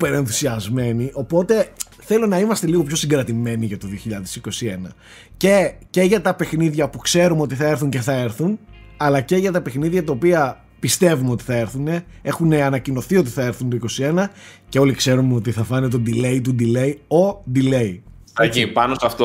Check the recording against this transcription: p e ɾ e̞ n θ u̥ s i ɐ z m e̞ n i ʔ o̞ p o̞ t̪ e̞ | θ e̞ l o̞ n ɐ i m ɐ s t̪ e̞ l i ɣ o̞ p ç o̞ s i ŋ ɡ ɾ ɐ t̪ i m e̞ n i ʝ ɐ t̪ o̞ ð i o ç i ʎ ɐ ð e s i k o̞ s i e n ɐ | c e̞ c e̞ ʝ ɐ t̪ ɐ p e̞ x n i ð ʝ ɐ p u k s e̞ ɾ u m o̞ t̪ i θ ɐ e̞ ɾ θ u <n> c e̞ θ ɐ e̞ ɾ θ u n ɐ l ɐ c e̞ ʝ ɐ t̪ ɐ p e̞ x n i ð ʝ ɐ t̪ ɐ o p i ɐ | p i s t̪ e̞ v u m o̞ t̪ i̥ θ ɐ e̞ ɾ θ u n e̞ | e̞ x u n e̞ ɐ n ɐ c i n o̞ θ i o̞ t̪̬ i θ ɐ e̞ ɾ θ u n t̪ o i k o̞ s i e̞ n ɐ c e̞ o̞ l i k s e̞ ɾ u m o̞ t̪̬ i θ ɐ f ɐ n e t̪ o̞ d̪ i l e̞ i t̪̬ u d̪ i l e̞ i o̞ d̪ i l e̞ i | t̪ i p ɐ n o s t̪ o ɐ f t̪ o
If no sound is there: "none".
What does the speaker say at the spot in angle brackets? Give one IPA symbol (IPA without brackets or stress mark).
ɲ